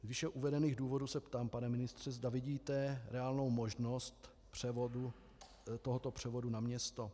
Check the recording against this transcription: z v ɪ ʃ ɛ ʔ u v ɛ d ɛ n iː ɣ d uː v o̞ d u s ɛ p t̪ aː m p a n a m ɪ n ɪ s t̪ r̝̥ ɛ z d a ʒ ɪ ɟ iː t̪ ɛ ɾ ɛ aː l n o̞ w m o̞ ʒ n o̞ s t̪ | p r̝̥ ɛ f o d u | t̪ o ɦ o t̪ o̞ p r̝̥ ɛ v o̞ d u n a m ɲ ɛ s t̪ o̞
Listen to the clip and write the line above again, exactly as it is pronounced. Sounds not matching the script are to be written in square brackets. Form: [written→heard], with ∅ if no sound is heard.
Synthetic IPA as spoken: z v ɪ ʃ ɛ ʔ u v ɛ d ɛ n iː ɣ d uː v o̞ d u s ɛ p t̪ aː m p a n [a→ɛ] m ɪ n ɪ s t̪ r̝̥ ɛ z d a [ʒ→v] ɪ ɟ iː t̪ ɛ ɾ ɛ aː l n o̞ w m o̞ ʒ n o̞ s t̪ | p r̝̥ ɛ [f→v] o d u | t̪ o ɦ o t̪ o̞ p r̝̥ ɛ v o̞ d u n a m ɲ ɛ s t̪ o̞